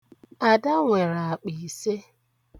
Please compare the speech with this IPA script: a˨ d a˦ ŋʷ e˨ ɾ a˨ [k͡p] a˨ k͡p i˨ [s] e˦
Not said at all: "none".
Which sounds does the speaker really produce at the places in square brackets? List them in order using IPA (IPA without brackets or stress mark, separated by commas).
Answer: none, s